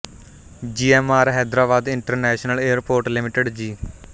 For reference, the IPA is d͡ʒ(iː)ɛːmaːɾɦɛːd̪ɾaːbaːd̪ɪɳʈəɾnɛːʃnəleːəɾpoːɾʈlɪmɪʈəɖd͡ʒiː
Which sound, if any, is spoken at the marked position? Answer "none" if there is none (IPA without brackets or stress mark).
iː